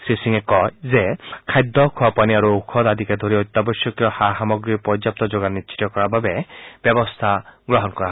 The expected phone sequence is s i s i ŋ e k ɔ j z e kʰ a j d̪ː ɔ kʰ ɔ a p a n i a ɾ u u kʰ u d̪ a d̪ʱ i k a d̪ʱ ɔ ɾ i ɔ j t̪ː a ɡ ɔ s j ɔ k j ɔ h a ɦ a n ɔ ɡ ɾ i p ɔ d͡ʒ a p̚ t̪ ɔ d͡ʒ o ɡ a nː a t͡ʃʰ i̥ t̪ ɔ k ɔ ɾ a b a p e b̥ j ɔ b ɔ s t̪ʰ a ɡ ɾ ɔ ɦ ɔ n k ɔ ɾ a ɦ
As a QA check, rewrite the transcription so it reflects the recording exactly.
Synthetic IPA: s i s i ŋ e k ɔ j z e kʰ a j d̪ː ɔ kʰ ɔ a p a n i a ɾ u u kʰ ɔ d̪ a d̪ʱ i k a d̪ʱ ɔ ɾ i ɔ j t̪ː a b ɔ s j ɔ k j ɔ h a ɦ a m ɔ ɡ ɾ i p ɔ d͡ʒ a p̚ t̪ ɔ d͡ʒ o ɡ a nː i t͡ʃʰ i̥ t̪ ɔ k ɔ ɾ a b a b e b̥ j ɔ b ɔ s t̪ʰ a ɡ ɾ ɔ ɦ ɔ n k ɔ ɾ a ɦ

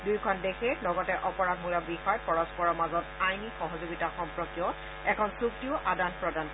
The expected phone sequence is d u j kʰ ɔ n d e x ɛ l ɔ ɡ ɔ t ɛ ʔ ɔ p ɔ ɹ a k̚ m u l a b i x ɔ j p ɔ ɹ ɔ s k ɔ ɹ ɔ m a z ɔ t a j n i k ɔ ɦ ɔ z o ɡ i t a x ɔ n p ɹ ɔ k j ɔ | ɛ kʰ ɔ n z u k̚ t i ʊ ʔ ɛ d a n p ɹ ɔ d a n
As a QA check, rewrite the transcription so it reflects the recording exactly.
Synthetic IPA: d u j kʰ ɔ n d e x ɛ l ɔ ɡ ɔ t ɛ ʔ ɔ p ɔ ɹ a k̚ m u l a b i x ɔ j p ɔ ɹ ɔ s p ɔ ɹ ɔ m a z ɔ t a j n i x ɔ ɦ ɔ z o ɡ i t a x ɔ m p ɹ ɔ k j ɔ | ɛ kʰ ɔ n s u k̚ t i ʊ ʔ a d a n p ɹ ɔ d a n

